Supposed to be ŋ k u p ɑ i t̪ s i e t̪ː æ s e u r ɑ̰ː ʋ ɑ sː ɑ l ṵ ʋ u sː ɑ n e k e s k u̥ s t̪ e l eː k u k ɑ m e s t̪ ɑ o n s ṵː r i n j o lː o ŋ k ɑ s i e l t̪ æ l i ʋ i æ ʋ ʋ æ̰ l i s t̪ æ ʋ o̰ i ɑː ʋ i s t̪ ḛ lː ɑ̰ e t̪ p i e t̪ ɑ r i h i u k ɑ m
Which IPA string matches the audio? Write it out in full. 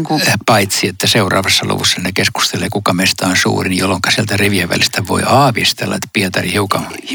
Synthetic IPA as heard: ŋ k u p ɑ i t̪ s i e t̪ː æ s e u r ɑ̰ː ʋ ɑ sː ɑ l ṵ ʋ u sː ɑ n e k e s k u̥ s t̪ e l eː k u k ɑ m e s t̪ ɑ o n s ṵː r i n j o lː o ŋ k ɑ s i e l t̪ æ r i ʋ i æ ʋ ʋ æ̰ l i s t̪ æ ʋ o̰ i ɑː ʋ i s t̪ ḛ lː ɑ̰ e t̪ p i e t̪ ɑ r i h i u k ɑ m